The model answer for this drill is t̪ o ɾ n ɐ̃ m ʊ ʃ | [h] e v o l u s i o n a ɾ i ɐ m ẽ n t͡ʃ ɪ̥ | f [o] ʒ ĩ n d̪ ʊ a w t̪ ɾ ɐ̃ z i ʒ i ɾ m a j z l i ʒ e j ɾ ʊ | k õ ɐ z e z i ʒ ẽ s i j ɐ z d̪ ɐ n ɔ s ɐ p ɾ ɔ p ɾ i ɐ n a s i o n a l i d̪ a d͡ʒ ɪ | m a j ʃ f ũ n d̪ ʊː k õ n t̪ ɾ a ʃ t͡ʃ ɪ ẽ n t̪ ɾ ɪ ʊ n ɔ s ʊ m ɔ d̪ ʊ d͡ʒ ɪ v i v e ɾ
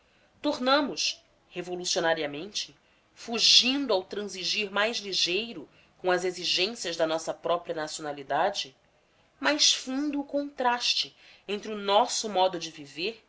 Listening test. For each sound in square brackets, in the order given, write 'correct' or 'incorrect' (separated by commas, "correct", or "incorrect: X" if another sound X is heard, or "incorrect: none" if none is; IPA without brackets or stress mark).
correct, incorrect: u